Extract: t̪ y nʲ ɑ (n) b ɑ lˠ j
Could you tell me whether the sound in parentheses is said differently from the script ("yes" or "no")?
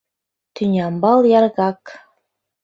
yes